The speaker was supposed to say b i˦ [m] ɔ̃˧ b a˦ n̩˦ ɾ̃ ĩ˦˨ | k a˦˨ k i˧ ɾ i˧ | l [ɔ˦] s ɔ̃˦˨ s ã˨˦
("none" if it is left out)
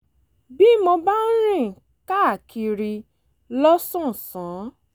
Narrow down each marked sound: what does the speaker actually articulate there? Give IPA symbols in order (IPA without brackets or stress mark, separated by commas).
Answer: m, ɔ˦